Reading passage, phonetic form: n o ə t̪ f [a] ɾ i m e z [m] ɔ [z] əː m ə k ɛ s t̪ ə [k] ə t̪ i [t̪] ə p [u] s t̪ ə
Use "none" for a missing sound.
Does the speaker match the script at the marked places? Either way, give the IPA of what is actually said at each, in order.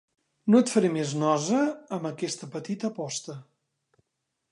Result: ə, n, z, p, t̪, ɔ

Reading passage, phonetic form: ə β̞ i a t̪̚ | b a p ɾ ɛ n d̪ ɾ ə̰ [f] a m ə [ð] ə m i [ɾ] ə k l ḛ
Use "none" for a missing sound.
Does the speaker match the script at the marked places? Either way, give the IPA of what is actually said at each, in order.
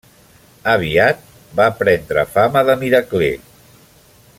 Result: f, ð, ɾ

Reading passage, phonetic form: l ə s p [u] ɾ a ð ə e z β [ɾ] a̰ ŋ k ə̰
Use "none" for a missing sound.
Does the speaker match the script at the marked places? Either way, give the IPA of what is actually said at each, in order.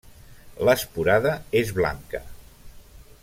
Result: u, l

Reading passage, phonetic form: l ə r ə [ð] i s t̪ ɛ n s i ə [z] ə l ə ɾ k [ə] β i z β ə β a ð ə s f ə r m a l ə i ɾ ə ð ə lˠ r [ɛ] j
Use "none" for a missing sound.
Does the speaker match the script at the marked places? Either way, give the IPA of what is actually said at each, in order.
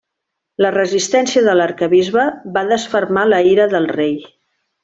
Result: z, ð, ə, e

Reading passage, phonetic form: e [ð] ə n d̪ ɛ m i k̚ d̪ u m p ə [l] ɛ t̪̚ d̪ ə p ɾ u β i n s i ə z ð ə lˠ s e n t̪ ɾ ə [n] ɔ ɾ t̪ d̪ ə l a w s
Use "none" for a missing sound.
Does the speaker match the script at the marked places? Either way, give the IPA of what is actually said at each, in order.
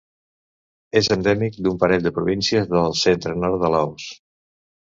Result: z, ɾ, n

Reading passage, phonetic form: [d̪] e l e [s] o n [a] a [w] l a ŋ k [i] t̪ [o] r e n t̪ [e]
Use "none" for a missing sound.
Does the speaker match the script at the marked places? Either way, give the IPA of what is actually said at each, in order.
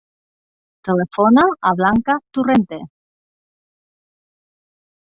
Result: t̪, f, a, β, a, u, e

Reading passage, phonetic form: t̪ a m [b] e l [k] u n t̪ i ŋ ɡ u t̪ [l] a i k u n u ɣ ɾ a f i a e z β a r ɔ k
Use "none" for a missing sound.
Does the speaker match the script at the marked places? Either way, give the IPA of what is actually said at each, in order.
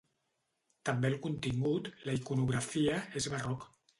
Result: b, k, l

